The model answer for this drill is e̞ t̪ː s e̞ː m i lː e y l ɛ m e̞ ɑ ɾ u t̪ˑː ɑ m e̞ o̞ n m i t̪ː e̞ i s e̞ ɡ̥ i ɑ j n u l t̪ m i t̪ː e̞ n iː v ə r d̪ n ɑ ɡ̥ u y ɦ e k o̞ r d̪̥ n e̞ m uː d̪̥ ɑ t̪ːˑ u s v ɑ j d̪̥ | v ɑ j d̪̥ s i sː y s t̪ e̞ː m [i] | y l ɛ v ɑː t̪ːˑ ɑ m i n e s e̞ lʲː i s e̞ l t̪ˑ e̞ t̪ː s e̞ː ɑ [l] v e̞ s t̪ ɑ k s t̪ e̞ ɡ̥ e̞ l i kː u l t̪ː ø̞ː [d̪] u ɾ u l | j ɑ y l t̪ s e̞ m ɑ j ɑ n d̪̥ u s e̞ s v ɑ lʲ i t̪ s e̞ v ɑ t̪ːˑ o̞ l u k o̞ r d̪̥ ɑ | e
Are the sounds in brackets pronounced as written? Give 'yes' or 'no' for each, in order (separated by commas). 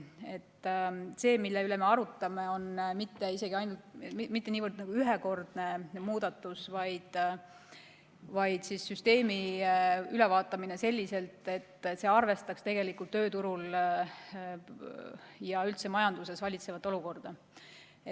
yes, no, no